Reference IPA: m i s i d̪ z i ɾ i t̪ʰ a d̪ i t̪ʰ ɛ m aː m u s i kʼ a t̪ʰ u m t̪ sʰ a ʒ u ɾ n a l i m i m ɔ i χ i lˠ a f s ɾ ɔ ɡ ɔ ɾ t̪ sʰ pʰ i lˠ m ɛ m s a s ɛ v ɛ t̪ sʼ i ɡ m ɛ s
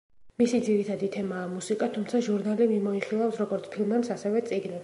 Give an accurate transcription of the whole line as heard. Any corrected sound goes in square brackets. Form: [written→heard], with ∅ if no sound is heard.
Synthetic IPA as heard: m i s i d̪ z i ɾ i t̪ʰ a d̪ i t̪ʰ ɛ m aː m u s i kʼ a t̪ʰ u m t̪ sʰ a ʒ u ɾ n a l i m i m ɔ i χ i lˠ a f s ɾ ɔ ɡ ɔ ɾ t̪ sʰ pʰ i lˠ m ɛ m s a s ɛ v ɛ t̪ sʼ i ɡ [m→n] ɛ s